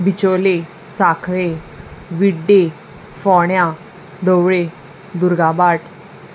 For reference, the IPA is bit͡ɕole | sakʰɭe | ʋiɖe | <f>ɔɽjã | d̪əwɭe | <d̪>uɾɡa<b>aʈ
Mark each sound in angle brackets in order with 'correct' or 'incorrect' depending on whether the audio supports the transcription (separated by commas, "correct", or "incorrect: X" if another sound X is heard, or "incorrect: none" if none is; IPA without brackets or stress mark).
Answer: correct, correct, correct